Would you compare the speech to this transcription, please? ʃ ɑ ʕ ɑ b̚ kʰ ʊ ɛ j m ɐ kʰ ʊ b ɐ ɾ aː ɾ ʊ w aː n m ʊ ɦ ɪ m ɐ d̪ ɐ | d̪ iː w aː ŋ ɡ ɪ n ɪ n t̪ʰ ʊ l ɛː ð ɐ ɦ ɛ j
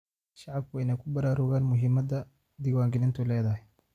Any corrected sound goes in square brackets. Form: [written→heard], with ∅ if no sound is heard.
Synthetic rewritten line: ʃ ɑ ʕ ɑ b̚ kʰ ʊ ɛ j [m→n] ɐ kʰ ʊ b ɐ ɾ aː ɾ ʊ [w→ɣ] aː n m ʊ ɦ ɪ m ɐ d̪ ɐ | d̪ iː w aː ŋ ɡ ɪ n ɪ n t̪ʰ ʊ l ɛː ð ɐ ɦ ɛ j